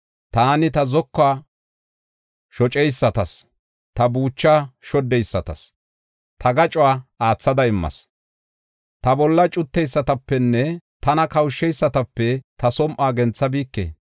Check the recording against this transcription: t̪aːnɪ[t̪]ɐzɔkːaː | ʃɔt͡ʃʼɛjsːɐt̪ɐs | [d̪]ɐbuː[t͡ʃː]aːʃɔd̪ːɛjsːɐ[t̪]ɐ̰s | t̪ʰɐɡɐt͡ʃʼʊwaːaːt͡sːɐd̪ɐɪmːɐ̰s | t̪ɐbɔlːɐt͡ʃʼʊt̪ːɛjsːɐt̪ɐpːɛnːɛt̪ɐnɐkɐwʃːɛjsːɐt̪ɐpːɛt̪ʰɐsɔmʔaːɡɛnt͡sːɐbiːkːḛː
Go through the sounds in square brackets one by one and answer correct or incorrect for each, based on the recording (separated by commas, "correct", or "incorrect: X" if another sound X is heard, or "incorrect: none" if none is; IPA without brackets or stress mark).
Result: correct, incorrect: t̪, correct, correct